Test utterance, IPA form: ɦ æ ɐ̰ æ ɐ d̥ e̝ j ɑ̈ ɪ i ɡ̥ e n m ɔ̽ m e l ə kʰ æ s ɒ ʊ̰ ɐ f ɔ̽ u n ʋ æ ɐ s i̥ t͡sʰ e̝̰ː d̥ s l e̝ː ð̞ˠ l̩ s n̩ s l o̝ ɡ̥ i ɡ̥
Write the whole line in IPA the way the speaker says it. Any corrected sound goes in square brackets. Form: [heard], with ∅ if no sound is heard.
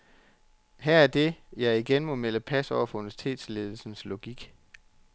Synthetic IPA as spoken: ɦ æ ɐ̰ æ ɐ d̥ e̝ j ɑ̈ ɪ i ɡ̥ e n m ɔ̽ m e l ə [pʰ] æ s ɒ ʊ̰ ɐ f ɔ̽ u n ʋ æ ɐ s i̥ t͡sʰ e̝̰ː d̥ s l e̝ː ð̞ˠ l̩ s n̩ s l o̝ ɡ̥ i ɡ̥